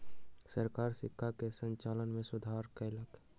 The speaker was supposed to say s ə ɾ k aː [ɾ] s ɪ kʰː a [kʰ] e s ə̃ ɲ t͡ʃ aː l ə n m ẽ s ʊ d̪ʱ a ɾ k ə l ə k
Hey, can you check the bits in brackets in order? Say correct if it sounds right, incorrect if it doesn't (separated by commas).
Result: correct, incorrect